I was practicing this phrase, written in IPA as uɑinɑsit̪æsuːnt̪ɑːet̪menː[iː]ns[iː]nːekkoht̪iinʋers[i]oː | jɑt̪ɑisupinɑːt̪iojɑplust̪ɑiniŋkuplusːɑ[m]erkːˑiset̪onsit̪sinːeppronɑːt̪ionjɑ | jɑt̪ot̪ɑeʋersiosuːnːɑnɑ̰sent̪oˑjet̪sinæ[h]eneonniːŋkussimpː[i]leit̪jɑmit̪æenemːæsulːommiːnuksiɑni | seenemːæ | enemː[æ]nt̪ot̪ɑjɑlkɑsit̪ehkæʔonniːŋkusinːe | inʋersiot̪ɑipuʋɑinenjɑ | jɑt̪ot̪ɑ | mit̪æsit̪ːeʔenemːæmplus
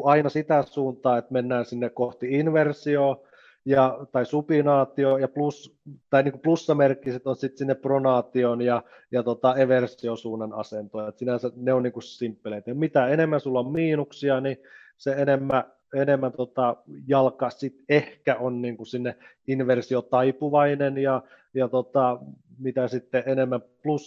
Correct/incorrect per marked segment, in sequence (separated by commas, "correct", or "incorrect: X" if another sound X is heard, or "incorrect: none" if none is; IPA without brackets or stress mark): incorrect: æː, incorrect: i, correct, correct, incorrect: s, incorrect: e, correct